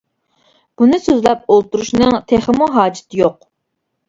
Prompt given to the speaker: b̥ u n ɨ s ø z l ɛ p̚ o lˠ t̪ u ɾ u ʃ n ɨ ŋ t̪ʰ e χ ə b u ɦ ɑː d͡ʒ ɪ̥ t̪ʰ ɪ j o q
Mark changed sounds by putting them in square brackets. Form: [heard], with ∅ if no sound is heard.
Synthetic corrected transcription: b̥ u n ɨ s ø z l ɛ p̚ o lˠ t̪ u ɾ u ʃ n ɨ ŋ t̪ʰ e χ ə [m] u ɦ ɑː d͡ʒ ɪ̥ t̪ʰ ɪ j o q